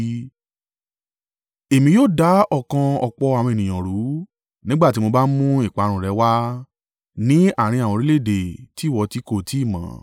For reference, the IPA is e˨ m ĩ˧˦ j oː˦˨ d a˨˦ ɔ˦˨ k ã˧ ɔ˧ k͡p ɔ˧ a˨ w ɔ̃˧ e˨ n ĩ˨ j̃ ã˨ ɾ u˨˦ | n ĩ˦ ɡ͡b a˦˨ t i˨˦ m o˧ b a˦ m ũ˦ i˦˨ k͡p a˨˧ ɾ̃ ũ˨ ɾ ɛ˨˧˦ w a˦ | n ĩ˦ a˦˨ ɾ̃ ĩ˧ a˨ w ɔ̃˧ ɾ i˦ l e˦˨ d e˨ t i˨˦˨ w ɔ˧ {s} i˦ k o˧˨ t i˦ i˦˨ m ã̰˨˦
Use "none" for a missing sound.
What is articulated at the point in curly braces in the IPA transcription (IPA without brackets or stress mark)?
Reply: t